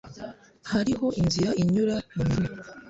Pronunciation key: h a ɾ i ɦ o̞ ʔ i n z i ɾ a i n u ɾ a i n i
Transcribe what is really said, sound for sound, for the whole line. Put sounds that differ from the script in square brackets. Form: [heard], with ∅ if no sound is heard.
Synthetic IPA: h a ɾ i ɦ o̞ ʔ i n z i ɾ a i [ɲ] u ɾ a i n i